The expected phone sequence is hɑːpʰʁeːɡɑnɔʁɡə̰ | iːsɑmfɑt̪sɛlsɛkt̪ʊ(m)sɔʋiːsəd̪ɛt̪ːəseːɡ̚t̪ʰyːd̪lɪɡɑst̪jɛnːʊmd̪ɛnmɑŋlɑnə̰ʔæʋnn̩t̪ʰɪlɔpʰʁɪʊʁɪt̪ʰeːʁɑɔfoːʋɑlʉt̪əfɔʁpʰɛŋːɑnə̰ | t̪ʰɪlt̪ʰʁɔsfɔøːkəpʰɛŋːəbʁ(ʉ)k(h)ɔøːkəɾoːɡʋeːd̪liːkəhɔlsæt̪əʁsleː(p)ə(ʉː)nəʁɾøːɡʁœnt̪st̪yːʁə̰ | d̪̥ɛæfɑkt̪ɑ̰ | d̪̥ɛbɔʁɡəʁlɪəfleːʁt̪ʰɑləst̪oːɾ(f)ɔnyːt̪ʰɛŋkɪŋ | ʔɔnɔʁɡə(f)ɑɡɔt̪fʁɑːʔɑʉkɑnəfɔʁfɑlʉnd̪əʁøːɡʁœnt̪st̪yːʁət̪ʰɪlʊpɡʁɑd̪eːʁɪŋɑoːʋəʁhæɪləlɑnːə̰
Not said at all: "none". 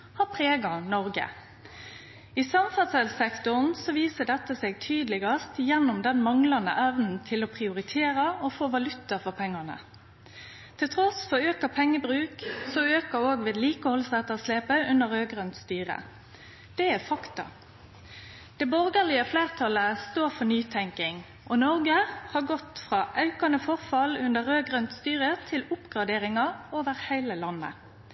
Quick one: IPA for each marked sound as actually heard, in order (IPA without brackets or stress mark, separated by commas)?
n, ʉː, s, p, ʉ, f, h